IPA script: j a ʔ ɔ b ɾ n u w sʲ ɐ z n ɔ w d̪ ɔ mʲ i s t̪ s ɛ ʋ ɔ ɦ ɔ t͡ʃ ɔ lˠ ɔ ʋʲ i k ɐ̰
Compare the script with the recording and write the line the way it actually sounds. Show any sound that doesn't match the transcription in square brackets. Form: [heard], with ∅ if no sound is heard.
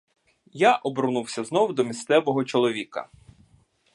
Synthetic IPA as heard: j a ʔ ɔ b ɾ n u w sʲ ɐ z n ɔ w d̪ ɔ mʲ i s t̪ s ɛ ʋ ɔ ɦ ɔ t͡ʃ ɔ lˠ ɔ ʋʲ i k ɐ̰